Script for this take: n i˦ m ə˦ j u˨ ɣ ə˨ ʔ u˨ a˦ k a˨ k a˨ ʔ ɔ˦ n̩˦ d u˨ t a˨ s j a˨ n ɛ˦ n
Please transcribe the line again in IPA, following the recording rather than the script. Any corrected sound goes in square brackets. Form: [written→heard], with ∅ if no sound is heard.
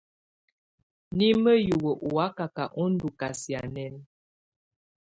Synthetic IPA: n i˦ m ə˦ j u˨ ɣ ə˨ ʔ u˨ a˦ k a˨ k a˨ ʔ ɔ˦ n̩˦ d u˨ [t→k] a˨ s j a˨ n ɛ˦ n